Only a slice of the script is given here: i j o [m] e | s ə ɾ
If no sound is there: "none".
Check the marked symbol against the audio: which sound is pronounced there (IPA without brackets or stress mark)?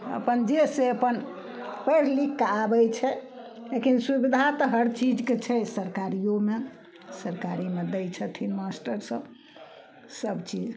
m